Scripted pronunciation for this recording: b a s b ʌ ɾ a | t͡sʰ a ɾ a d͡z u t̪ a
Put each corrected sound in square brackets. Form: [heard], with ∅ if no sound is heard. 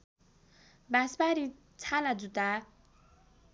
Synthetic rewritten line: b a s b [a] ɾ [i] | t͡sʰ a [l] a d͡z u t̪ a

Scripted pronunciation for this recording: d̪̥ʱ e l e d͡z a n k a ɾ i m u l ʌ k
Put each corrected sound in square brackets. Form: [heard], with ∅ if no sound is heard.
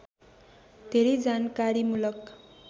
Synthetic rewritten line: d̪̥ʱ e [ɾ] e d͡z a n k a ɾ i m u l ʌ k

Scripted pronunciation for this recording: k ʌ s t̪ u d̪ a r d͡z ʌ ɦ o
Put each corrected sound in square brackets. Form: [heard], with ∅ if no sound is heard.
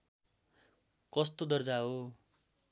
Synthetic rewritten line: k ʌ s t̪ [o] d̪ [ʌ] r d͡z [a] ɦ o

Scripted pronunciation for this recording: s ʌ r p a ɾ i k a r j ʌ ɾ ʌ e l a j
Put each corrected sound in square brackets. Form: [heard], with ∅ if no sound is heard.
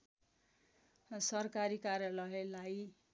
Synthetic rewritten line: s ʌ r [k] a ɾ i k a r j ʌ [l] ʌ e l a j

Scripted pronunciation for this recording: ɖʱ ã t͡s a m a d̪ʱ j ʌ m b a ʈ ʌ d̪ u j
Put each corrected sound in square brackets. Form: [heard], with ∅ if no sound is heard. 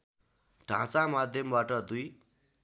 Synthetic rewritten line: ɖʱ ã t͡s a m a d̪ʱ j ʌ m b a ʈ ʌ d̪ u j

